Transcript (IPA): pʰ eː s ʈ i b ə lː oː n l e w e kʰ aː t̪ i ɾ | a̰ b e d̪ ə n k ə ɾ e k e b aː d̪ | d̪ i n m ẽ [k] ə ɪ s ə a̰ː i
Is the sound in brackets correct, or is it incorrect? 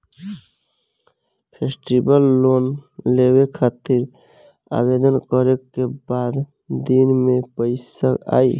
incorrect: p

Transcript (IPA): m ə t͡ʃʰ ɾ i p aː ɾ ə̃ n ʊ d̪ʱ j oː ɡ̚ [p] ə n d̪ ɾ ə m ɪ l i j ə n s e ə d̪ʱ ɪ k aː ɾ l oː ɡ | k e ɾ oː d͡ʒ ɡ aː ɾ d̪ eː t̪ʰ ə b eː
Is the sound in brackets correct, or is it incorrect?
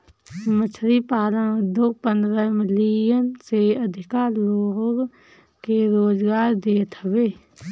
correct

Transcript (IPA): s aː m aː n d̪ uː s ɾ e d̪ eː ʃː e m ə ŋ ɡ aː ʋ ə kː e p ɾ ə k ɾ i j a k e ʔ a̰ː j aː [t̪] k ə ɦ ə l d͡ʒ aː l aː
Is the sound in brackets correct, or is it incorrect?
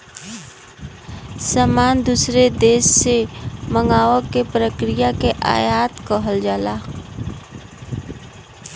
correct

